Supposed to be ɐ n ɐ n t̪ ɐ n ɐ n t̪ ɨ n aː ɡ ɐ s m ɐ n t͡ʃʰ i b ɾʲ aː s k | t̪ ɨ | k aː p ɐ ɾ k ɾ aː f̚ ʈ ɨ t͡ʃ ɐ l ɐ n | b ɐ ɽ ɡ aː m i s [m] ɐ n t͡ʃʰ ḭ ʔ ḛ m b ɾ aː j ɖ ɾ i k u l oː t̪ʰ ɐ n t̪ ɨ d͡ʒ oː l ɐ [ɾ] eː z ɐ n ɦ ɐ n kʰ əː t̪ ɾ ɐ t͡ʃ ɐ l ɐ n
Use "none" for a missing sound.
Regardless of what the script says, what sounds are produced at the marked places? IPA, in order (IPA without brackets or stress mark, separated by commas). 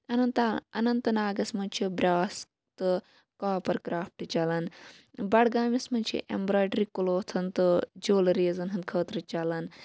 m, ɾ